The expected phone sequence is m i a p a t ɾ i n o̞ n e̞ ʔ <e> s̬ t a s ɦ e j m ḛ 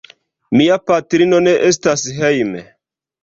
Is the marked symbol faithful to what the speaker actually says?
yes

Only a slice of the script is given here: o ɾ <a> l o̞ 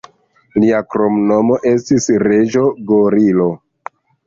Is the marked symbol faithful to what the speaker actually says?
no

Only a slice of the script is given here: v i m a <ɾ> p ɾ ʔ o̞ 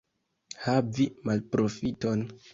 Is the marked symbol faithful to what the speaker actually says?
no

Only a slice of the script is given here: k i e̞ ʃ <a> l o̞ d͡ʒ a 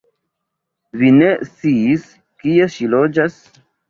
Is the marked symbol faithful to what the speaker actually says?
no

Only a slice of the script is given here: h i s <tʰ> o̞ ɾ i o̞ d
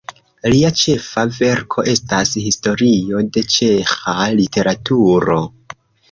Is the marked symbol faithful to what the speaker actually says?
no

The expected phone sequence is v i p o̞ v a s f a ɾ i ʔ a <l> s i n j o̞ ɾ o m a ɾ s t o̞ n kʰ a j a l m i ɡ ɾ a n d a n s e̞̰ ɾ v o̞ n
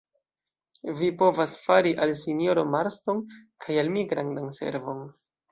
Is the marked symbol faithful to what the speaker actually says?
yes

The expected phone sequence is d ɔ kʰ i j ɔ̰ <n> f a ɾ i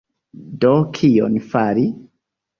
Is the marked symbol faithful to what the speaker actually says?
yes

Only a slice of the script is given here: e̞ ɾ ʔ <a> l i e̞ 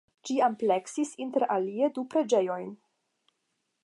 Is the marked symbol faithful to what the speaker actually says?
yes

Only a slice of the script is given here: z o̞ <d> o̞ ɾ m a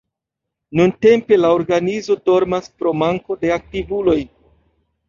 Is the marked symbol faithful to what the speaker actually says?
yes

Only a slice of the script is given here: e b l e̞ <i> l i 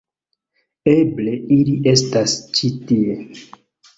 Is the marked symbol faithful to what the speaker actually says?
yes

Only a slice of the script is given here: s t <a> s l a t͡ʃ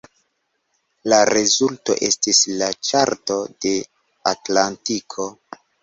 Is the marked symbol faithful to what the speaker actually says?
no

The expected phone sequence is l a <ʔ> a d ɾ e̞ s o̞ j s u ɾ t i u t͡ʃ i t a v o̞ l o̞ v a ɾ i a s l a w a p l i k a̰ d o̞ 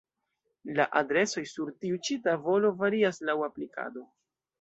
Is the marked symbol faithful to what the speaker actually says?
yes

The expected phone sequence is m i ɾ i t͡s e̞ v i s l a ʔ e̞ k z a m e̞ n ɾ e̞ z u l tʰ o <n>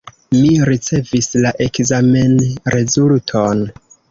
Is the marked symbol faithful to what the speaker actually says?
yes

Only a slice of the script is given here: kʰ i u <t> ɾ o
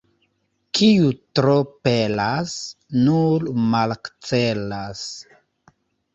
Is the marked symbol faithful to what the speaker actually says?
yes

